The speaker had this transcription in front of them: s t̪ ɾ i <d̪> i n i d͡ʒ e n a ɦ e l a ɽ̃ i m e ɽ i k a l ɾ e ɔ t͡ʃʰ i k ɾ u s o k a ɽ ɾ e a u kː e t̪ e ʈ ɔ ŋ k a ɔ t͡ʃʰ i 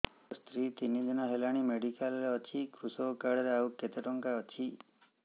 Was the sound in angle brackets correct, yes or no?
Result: no